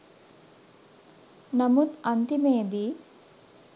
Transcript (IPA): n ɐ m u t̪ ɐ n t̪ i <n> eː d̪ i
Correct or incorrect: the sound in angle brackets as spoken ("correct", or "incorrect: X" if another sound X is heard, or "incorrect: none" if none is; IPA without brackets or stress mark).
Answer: incorrect: m